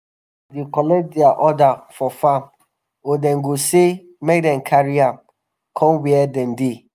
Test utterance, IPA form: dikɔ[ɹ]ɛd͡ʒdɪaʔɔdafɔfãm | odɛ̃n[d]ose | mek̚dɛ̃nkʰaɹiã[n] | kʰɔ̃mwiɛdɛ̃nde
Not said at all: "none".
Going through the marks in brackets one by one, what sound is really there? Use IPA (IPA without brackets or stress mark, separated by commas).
l, ɡ, m